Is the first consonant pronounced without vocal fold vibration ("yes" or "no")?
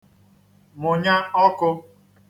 no